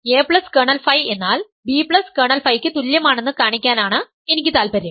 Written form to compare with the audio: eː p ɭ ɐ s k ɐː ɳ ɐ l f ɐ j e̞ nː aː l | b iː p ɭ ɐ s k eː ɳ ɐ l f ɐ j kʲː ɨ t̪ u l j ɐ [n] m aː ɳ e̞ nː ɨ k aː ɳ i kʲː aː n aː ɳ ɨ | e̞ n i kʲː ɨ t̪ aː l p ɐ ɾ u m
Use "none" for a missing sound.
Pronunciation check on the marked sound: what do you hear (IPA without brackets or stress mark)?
none